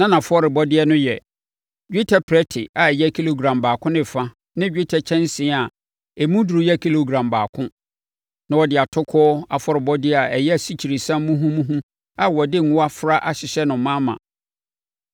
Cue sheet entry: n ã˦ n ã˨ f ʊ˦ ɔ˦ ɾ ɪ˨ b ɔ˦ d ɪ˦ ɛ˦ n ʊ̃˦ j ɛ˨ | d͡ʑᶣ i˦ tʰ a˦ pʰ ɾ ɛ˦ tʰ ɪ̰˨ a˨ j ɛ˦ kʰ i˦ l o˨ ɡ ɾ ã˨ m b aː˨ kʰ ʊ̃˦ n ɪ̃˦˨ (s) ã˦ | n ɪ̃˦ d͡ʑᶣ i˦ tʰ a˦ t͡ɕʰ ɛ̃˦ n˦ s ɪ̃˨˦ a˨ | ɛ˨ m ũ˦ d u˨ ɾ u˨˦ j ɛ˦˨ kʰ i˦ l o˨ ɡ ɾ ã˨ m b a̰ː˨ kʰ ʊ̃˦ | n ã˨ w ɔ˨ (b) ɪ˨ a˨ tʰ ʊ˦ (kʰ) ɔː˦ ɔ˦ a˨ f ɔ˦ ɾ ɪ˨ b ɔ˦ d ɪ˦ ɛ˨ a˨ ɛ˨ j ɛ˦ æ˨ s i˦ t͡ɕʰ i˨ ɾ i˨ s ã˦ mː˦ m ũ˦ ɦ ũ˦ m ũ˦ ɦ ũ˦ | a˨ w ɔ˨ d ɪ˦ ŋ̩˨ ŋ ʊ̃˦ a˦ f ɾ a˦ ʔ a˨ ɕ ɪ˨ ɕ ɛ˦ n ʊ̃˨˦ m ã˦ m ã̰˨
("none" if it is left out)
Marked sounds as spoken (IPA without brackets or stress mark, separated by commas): f, d, kʰ